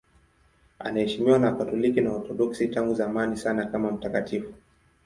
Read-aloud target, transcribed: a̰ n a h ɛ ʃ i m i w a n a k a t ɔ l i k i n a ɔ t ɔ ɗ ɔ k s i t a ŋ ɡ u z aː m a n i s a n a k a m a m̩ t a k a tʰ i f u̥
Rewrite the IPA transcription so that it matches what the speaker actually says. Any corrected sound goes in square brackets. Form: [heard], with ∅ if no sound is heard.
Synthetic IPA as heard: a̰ n a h ɛ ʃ i m i w a n a k a t ɔ l i k i n a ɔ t ɔ ɗ ɔ k s i t a ŋ ɡ u z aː m a n i s a n a k a m a m̩ t a k a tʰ i f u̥